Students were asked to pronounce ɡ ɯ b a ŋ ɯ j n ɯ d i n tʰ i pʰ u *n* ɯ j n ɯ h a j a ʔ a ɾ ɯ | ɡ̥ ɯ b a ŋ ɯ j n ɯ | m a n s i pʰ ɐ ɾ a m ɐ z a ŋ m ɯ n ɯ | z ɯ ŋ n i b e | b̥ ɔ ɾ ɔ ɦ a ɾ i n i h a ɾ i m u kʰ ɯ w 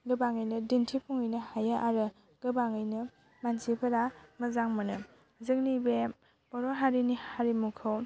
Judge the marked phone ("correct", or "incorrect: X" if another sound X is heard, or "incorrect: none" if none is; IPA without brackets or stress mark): incorrect: ŋ